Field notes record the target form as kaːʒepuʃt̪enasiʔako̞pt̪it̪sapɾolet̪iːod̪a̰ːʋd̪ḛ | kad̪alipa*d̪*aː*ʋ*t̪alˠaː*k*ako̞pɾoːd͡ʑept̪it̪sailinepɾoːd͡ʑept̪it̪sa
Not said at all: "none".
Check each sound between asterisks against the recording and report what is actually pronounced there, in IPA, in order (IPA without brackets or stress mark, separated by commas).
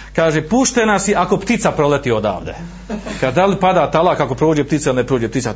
d̪, none, k